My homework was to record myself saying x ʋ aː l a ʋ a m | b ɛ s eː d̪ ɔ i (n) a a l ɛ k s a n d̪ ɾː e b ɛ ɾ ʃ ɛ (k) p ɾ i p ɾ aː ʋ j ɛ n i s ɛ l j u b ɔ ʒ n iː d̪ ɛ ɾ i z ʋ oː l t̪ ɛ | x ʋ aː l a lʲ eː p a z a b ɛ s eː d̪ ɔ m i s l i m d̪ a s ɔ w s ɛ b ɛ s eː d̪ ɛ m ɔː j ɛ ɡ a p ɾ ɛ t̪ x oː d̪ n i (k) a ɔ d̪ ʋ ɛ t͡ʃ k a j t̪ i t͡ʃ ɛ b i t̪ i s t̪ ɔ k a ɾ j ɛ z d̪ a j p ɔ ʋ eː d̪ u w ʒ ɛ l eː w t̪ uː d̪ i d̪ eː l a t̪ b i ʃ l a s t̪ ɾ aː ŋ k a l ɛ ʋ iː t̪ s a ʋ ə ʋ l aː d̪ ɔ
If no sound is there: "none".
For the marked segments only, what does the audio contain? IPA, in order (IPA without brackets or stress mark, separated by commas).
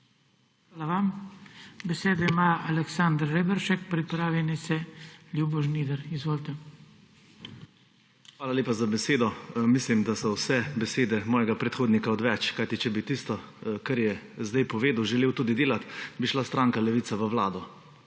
m, k, k